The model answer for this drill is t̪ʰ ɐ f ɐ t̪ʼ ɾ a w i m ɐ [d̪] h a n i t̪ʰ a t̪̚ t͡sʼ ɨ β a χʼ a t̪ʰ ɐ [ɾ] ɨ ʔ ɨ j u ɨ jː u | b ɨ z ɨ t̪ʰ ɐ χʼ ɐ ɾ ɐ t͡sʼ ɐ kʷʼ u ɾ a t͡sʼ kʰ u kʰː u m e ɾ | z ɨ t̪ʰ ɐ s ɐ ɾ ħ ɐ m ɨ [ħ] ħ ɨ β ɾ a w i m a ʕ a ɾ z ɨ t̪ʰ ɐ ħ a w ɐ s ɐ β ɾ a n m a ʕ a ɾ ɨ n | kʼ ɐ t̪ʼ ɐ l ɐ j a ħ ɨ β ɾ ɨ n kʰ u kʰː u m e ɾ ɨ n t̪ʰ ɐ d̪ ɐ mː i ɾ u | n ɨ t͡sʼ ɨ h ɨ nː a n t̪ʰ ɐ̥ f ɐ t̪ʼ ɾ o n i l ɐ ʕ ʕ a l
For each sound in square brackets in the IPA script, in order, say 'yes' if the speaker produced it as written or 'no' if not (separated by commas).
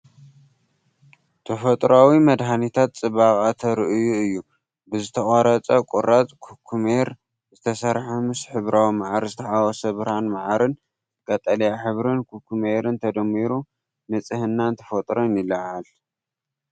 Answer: yes, yes, no